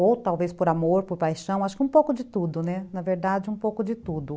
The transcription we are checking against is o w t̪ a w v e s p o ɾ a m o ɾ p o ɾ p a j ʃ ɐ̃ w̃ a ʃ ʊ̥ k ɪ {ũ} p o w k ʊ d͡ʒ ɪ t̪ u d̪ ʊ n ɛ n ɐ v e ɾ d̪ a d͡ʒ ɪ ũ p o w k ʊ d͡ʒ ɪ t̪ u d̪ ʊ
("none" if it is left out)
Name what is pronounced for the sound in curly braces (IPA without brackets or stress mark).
ũ